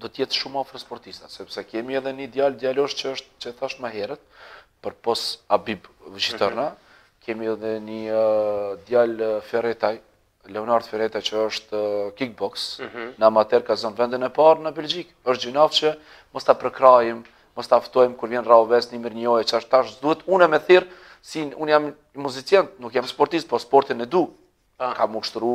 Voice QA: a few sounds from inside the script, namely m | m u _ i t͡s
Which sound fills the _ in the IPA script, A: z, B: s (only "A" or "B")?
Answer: A